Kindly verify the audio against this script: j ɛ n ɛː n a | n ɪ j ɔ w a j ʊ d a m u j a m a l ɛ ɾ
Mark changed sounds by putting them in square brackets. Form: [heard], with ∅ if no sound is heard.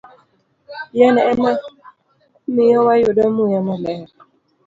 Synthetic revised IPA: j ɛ n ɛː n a | [m] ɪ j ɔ w a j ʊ d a m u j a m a l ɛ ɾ